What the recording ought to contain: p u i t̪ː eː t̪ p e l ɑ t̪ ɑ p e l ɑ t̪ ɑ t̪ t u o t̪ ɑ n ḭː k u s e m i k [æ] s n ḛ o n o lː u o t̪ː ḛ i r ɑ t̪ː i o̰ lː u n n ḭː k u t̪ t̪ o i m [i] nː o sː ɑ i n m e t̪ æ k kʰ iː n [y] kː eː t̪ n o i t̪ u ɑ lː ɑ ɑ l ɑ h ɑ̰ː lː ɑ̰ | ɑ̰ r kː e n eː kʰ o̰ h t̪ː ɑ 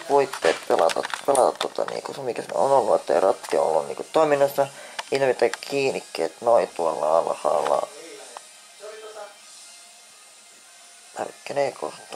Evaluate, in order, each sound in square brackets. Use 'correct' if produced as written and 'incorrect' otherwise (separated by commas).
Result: correct, correct, incorrect